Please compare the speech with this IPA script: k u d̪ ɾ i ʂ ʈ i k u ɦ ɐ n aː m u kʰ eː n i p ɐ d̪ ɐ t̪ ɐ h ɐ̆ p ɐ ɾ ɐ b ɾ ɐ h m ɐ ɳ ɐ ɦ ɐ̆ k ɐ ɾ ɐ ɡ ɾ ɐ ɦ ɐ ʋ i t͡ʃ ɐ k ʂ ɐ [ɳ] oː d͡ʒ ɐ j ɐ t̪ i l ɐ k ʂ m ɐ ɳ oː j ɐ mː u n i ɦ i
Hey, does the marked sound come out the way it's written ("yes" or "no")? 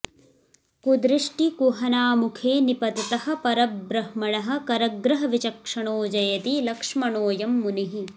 yes